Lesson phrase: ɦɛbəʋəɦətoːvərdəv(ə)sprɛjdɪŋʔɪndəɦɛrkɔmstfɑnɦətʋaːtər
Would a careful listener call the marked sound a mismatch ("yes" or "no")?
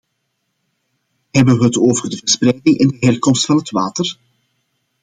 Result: no